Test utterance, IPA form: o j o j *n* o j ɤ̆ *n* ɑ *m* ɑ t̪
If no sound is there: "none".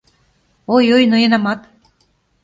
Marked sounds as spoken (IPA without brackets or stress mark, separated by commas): n, n, m